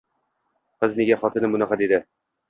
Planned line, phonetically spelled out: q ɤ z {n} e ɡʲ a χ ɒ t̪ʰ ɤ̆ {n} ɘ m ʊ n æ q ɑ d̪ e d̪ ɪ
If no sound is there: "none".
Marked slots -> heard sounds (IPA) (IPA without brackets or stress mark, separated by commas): n, n